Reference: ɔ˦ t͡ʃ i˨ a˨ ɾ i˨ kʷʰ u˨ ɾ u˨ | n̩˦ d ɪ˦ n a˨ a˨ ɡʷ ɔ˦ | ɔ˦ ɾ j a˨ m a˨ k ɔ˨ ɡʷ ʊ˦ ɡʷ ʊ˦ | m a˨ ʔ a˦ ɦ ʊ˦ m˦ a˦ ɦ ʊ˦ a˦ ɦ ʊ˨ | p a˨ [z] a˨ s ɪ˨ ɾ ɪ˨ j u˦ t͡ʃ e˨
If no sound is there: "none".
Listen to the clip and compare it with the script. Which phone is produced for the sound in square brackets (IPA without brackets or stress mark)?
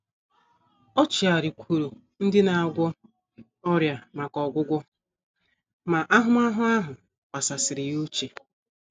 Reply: s